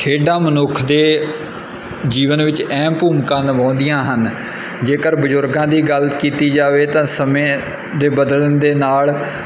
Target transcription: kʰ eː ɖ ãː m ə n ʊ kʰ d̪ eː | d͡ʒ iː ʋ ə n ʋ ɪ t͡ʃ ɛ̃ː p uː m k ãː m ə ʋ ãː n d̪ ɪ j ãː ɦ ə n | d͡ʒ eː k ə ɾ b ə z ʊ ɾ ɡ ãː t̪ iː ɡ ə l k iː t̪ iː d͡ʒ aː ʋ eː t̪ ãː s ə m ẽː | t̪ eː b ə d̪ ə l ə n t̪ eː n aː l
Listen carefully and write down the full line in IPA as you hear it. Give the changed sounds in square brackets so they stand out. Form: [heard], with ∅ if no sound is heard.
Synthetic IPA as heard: kʰ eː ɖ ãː m ə n ʊ kʰ d̪ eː | d͡ʒ iː ʋ ə n ʋ ɪ t͡ʃ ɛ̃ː p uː m k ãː [n] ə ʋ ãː n d̪ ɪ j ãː ɦ ə n | d͡ʒ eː k ə ɾ b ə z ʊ ɾ ɡ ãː [d̪] iː ɡ ə l k iː t̪ iː d͡ʒ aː ʋ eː t̪ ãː s ə m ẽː | [d̪] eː b ə d̪ ə l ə n [d̪] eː n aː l